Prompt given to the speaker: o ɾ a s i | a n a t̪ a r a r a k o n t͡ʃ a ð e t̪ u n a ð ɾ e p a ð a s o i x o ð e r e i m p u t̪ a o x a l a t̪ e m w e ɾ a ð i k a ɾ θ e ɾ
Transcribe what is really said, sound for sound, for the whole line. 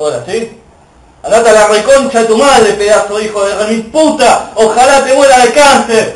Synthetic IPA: o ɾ a s i | a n a t̪ a l a r e k o n t͡ʃ a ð e t̪ u m a ð ɾ e p e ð a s o i x o ð e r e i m p u t̪ a o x a l a t̪ e m w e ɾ a ð e k a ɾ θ e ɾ